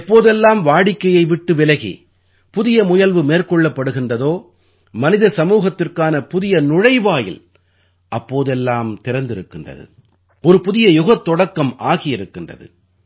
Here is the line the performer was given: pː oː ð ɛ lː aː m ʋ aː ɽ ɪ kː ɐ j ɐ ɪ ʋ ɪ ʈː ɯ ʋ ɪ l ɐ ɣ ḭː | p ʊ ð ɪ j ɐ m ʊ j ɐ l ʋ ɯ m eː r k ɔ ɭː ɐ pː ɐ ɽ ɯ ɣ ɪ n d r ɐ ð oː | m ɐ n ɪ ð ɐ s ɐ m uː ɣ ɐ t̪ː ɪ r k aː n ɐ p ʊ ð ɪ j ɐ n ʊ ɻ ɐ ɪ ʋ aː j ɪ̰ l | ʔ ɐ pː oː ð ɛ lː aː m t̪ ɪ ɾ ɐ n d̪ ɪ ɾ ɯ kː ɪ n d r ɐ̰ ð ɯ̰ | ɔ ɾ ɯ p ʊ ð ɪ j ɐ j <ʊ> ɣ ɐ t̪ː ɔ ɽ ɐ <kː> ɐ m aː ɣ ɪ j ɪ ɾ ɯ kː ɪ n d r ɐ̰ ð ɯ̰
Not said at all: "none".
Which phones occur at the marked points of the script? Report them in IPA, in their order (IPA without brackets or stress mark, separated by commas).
ʊ, kː